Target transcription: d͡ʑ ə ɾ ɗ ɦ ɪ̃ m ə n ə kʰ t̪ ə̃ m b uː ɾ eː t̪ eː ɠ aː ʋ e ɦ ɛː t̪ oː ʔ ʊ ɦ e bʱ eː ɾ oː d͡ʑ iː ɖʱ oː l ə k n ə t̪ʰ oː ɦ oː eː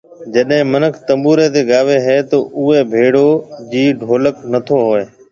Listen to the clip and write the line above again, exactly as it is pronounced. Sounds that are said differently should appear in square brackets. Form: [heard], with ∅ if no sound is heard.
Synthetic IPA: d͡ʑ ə [∅] ɗ ɦ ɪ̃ m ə n ə kʰ t̪ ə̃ m b uː ɾ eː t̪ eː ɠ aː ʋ e ɦ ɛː t̪ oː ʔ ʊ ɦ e bʱ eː [ɽ] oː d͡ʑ iː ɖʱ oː l ə k n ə t̪ʰ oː ɦ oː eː